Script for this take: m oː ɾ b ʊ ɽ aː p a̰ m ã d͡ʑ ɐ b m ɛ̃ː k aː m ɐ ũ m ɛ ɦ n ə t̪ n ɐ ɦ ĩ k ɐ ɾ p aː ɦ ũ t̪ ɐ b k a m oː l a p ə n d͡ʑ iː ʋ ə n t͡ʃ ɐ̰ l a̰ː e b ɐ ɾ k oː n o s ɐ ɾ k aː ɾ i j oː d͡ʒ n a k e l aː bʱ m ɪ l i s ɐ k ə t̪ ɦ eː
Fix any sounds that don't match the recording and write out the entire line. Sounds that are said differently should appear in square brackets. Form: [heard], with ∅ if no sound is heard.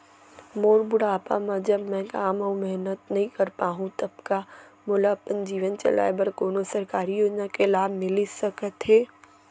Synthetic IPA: m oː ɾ b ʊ ɽ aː p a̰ m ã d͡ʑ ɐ b m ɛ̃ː k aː m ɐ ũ m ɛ ɦ n ə t̪ n ɐ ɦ ĩ k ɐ ɾ p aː ɦ ũ t̪ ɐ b k a m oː l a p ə n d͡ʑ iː ʋ ə n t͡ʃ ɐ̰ l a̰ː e b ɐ ɾ k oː n o s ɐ ɾ k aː ɾ i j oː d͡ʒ n a k e l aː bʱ m ɪ l i s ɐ k ə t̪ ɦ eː